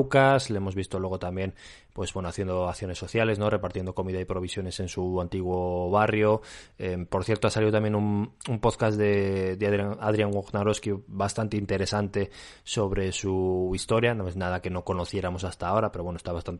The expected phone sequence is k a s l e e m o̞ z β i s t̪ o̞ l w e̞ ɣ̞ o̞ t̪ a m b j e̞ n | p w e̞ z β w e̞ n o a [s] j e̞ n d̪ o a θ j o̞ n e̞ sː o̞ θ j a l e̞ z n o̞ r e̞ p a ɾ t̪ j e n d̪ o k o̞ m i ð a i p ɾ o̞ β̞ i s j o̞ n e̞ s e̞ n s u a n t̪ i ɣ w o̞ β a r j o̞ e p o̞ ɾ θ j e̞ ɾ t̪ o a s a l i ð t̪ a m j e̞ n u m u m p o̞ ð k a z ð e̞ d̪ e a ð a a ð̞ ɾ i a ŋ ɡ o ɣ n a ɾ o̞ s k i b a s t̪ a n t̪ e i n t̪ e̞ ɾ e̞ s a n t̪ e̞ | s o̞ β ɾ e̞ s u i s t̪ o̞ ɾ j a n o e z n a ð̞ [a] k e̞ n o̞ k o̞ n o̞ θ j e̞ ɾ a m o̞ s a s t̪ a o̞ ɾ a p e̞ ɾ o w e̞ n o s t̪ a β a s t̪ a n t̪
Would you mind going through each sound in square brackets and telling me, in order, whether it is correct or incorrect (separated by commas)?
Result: incorrect, correct